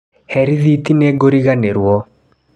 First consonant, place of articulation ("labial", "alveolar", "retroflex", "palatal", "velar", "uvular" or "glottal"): glottal